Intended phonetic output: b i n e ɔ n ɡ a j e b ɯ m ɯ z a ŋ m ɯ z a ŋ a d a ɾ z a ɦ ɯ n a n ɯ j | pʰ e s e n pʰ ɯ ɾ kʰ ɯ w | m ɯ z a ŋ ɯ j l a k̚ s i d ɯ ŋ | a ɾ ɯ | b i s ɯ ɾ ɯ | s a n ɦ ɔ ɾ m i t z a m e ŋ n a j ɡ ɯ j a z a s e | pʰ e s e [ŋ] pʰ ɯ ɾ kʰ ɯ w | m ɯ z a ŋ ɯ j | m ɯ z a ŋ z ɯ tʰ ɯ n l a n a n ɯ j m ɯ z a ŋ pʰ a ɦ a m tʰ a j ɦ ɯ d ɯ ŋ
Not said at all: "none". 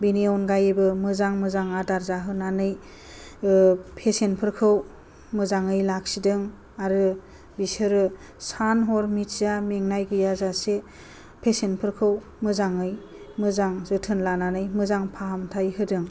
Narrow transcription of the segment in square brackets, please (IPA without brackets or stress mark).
n